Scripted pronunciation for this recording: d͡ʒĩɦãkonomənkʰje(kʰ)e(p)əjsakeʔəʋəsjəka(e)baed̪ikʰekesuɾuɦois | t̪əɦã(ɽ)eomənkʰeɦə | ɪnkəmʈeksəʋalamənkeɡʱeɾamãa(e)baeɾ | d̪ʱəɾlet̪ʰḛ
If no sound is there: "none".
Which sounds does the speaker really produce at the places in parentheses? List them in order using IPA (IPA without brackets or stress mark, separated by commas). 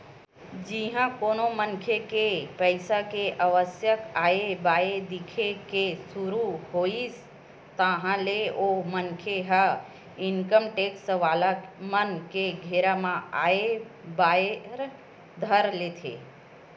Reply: k, p, e, l, e